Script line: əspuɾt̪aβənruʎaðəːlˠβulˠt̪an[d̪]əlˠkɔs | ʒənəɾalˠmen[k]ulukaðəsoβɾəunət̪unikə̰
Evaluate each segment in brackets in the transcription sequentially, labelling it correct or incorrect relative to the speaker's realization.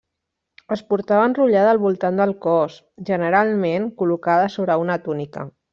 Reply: correct, correct

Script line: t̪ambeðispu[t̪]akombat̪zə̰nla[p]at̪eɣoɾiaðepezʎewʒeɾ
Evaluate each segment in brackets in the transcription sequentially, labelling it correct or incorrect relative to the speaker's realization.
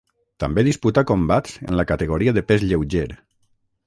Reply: correct, incorrect: k

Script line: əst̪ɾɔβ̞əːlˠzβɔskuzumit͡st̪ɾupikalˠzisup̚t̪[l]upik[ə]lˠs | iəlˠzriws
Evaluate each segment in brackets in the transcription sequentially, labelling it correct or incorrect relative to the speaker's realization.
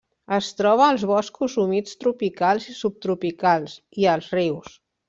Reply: incorrect: ɾ, incorrect: a

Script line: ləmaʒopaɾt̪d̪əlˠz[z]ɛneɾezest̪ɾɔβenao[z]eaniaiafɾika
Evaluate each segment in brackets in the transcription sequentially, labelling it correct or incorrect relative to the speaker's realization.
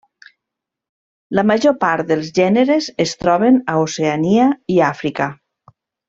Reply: incorrect: ʒ, incorrect: s

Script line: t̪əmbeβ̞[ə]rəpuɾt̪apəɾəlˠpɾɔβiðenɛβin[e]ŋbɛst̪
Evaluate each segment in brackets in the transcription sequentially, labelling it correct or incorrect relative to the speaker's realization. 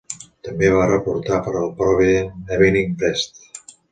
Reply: incorrect: a, incorrect: i

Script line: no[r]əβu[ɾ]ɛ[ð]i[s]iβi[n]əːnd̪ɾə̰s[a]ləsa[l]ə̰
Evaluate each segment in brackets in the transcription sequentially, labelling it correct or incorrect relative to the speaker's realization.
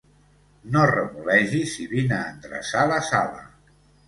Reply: correct, incorrect: l, incorrect: ʒ, correct, correct, correct, correct

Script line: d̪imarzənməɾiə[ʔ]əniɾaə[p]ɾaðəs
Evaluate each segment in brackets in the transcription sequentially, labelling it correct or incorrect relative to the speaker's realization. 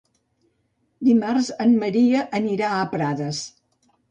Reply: correct, correct

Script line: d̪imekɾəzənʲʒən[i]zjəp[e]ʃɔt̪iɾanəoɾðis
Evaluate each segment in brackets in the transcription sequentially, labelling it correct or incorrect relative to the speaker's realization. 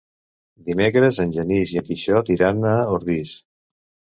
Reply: correct, incorrect: i

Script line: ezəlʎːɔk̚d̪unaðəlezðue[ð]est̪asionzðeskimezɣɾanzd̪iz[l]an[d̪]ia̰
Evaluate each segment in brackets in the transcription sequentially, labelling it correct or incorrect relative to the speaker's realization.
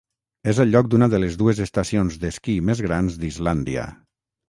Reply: incorrect: z, correct, correct

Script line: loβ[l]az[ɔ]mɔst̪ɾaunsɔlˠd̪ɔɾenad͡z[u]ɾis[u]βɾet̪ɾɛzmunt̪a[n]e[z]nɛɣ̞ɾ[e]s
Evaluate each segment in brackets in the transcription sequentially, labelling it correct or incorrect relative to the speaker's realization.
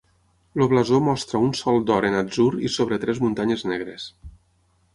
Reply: correct, incorrect: o, correct, incorrect: o, incorrect: ɲ, correct, correct

